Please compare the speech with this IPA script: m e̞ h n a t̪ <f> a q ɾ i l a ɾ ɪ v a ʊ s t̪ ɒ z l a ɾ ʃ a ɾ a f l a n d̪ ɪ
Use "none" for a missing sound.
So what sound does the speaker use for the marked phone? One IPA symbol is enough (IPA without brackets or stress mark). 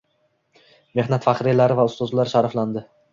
f